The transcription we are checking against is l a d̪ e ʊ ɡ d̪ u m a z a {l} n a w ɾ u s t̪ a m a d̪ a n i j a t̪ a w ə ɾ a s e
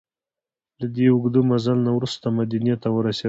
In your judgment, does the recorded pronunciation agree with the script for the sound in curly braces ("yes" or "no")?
yes